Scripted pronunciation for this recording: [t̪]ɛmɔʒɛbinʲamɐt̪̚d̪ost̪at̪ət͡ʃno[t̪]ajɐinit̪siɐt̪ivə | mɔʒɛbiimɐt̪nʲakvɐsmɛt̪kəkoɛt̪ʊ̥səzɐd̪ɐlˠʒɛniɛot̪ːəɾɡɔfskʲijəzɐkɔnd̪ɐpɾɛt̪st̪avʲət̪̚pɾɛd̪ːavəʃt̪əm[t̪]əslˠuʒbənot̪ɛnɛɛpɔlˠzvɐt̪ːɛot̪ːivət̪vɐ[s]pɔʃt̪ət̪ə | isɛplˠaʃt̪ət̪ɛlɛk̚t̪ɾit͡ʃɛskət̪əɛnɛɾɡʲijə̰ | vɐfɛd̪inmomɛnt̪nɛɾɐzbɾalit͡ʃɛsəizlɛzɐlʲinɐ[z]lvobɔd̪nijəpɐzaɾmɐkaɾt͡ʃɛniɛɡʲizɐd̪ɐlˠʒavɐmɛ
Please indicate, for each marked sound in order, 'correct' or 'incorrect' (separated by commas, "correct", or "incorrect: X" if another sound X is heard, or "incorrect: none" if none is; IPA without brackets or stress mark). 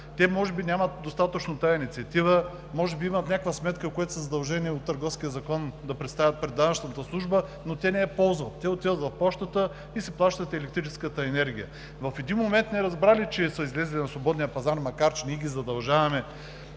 correct, correct, correct, incorrect: f, incorrect: s